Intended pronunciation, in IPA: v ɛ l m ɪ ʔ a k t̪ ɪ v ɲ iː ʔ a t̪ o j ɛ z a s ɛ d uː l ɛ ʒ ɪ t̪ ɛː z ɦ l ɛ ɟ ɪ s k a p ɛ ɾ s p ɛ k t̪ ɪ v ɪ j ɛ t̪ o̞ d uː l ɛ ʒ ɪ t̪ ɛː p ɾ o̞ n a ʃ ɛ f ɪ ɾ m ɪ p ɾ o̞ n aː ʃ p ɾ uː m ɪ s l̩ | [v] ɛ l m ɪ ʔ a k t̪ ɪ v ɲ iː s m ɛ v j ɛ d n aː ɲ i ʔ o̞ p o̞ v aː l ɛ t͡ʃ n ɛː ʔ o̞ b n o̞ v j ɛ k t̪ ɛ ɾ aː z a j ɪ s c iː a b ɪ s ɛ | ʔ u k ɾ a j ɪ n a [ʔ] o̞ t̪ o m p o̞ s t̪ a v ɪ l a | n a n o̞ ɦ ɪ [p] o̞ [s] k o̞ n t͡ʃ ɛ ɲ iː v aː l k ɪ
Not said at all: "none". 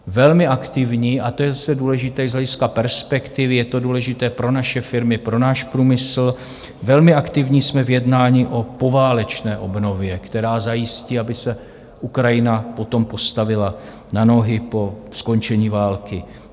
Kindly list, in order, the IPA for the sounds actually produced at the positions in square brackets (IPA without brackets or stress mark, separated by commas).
v, p, p, s